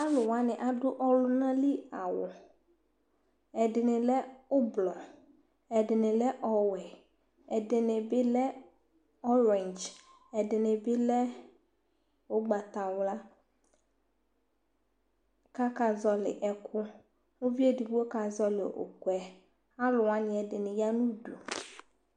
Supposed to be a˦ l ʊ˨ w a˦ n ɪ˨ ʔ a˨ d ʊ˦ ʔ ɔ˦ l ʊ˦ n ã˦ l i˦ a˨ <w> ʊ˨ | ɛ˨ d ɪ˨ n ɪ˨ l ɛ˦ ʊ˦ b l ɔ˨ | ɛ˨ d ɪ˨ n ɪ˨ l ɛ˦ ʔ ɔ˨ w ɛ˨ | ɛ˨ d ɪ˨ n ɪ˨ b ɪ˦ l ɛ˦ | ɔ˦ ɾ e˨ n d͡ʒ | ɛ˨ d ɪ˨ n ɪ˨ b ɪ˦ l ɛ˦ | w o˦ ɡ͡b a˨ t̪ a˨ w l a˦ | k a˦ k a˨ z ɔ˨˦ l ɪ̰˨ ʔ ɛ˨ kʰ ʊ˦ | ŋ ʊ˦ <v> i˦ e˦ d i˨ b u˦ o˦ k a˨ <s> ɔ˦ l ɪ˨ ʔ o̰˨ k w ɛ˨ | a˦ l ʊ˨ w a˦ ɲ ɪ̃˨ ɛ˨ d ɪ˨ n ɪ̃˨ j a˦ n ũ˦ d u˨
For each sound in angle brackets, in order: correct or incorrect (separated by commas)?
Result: correct, correct, incorrect